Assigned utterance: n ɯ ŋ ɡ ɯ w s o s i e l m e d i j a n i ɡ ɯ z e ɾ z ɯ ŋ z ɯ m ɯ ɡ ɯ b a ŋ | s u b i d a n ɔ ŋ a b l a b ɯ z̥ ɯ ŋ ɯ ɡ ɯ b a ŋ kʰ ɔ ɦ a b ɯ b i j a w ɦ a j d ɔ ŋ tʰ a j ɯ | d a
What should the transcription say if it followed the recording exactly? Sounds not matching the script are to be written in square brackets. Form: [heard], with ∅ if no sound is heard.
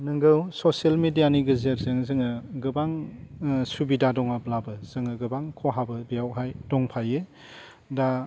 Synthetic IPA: n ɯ ŋ ɡ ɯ w s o s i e l m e d i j a n i ɡ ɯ z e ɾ z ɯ ŋ z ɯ [ŋ] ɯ ɡ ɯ b a ŋ | s u b i d a [d] ɔ ŋ a b l a b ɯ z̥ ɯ ŋ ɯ ɡ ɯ b a ŋ kʰ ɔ ɦ a b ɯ b i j a w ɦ a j d ɔ ŋ [pʰ] a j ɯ | d a